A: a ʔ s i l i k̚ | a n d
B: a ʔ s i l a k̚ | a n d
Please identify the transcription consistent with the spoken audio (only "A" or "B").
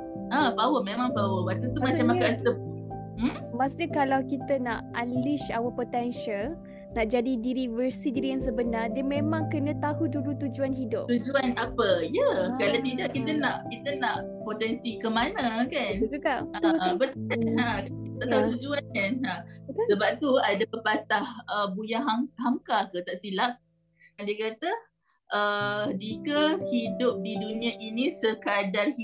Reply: B